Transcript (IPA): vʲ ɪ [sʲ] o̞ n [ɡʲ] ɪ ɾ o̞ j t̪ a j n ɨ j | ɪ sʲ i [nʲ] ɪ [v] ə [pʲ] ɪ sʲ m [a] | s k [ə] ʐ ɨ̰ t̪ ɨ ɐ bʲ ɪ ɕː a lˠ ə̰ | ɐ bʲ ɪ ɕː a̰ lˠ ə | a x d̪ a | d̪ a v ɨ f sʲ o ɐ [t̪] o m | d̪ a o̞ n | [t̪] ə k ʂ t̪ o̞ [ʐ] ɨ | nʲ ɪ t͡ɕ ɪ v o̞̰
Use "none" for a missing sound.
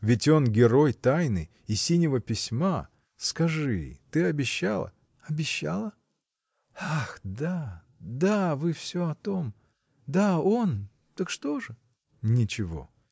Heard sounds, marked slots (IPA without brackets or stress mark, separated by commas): tʲ, ɡʲ, nʲ, v, pʲ, a, ɐ, t̪, t̪, ʐ